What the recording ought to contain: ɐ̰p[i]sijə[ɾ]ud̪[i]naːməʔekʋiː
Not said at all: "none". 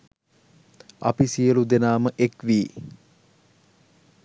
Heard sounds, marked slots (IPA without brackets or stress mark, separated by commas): i, l, e